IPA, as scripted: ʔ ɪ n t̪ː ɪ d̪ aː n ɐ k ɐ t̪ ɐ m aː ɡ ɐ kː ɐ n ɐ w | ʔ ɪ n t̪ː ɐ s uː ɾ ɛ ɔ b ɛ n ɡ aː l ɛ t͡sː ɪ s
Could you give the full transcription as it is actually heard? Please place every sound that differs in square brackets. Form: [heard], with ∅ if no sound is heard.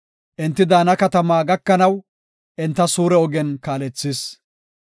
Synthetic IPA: ʔ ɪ n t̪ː ɪ d̪ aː n ɐ k ɐ t̪ ɐ m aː ɡ ɐ kː ɐ n ɐ w | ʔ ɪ n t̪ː ɐ s uː ɾ ɛ ɔ [ɡ] ɛ n [k] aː l ɛ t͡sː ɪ s